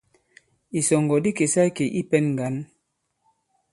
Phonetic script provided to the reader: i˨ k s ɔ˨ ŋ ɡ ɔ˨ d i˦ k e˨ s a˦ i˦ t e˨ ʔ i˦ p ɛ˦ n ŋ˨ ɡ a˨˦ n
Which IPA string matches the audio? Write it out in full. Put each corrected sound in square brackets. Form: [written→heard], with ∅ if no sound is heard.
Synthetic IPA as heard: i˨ [k→∅] s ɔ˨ ŋ ɡ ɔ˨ d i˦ k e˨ s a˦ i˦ [t→k] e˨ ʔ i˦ p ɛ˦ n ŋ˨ ɡ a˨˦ n